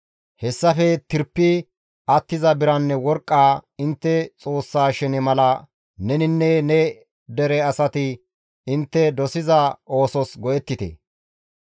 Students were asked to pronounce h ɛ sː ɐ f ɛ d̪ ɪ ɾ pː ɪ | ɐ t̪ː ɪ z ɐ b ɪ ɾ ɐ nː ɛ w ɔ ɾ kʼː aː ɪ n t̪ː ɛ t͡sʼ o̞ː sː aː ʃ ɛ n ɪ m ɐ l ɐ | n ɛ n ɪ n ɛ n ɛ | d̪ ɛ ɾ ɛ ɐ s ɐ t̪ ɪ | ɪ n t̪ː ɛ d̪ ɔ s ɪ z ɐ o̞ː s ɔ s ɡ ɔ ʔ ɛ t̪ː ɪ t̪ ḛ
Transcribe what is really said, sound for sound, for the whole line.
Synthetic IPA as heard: h ɛ sː ɐ f ɛ t̪ ɪ ɾ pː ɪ | ɐ t̪ː ɪ z ɐ b ɪ ɾ ɐ nː ɛ w ɔ ɾ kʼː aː ɪ n t̪ː ɛ t͡sʼ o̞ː sː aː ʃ ɛ n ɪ m ɐ l ɐ | n ɛ n ɪ nː ɛ n ɛ | d̪ ɛ ɾ ɛ ɐ s ɐ t̪ ɪ | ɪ n t̪ː ɛ d̪ ɔ s ɪ z ɐ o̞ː s ɔ s ɡ ɔ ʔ ɛ t̪ː ɪ t̪ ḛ

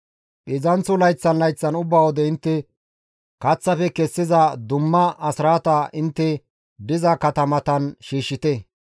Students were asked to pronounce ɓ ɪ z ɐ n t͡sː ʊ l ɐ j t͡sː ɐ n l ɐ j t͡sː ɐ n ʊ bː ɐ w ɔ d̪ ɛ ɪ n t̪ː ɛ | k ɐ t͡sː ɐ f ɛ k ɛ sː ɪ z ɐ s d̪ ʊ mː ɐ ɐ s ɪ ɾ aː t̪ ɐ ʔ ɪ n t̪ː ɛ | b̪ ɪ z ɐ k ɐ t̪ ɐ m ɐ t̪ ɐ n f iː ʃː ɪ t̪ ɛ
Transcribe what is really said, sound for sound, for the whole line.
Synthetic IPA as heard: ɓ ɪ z ɐ n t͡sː ʊ l ɐ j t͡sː ɐ n l ɐ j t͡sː ɐ n ʊ bː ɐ w ɔ d̪ ɛ ɪ n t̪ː ɛ | k ɐ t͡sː ɐ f ɛ k ɛ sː ɪ z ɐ d̪ ʊ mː ɐ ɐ s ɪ ɾ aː t̪ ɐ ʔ ɪ n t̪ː ɛ | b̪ ɪ z ɐ k ɐ t̪ ɐ m ɐ t̪ ɐ n ʃ iː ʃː ɪ t̪ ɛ

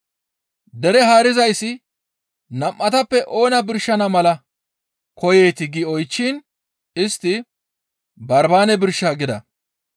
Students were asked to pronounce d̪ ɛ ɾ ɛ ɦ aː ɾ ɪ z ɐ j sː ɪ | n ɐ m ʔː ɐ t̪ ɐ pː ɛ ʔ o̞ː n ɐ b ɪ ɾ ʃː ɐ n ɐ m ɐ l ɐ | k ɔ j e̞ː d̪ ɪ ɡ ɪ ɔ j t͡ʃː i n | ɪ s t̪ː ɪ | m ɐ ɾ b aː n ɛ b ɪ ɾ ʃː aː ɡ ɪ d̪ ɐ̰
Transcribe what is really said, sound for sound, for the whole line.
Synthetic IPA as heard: d̪ ɛ ɾ ɛ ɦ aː ɾ ɪ z ɐ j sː ɪ | n ɐ m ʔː ɐ t̪ ɐ pː ɛ ʔ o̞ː n ɐ b ɪ ɾ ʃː ɐ n ɐ m ɐ l ɐ | k ɔ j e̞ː t̪ ɪ ɡ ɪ ɔ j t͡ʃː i n | ɪ s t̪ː ɪ | b ɐ ɾ b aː n ɛ b ɪ ɾ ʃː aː ɡ ɪ d̪ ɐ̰

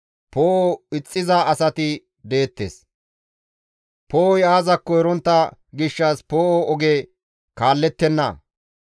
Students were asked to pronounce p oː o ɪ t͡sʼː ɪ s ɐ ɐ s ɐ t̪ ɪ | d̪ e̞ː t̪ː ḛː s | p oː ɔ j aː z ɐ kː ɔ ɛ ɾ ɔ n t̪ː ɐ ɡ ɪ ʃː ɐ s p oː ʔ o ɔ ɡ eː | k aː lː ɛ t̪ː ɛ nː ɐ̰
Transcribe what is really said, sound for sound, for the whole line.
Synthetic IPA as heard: p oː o ɪ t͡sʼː ɪ z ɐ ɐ s ɐ t̪ ɪ | d̪ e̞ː t̪ː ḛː s | p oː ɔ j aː z ɐ kː ɔ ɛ ɾ ɔ n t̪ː ɐ ɡ ɪ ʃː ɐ s p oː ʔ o ɔ ɡ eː | k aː lː ɛ t̪ː ɛ nː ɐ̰

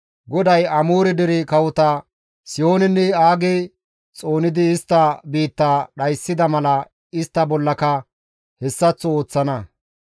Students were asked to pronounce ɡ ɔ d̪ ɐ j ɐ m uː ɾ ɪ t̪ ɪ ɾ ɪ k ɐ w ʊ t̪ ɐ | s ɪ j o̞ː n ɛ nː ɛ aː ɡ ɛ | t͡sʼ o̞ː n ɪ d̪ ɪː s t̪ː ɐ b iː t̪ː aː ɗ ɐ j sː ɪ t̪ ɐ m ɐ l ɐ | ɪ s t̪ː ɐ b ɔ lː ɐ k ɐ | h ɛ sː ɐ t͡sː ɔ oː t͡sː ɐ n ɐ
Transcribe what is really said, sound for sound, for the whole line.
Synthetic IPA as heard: ɡ ɔ d̪ ɐ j ɐ m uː ɾ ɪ d̪ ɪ ɾ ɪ k ɐ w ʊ t̪ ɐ | s ɪ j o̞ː n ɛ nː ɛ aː ɡ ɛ | t͡sʼ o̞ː n ɪ d̪ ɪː s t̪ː ɐ b iː t̪ː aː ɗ ɐ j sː ɪ d̪ ɐ m ɐ l ɐ | ɪ s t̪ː ɐ b ɔ lː ɐ k ɐ | h ɛ sː ɐ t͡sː ɔ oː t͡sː ɐ n ɐ

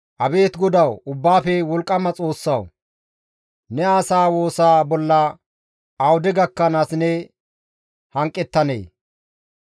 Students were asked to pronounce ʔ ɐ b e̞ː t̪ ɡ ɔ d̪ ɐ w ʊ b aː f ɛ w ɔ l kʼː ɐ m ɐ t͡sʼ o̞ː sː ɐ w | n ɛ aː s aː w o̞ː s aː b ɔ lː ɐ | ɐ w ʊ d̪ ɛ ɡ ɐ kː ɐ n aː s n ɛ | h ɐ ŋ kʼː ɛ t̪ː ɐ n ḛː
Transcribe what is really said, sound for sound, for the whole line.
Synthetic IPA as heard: ʔ ɐ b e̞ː t̪ ɡ ɔ d̪ ɐ w ʊ bː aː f ɛ w ɔ l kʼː ɐ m ɐ t͡sʼ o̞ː sː ɐ w | n ɛ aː s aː w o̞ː s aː b ɔ lː ɐ | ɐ w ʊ d̪ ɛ ɡ ɐ kː ɐ n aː s n ɛ | h ɐ ŋ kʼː ɛ t̪ː ɐ n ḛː

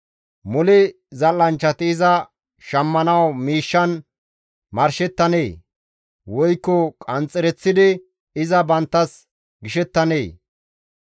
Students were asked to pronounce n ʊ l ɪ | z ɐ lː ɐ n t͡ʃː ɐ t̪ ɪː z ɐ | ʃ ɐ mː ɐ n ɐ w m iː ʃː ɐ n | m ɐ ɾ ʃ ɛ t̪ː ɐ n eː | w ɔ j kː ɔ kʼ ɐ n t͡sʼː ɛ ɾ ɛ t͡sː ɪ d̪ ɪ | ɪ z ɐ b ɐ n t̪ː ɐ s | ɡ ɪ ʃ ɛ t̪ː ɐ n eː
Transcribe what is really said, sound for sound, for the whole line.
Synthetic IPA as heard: m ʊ l ɪ | z ɐ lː ɐ n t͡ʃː ɐ t̪ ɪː z ɐ | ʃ ɐ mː ɐ n ɐ w m iː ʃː ɐ n | m ɐ ɾ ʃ ɛ t̪ː ɐ n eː | w ɔ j kː ɔ kʼ ɐ n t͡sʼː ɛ ɾ ɛ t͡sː ɪ d̪ ɪ | ɪ z ɐ b ɐ n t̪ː ɐ s | ɡ ɪ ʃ ɛ t̪ː ɐ n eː

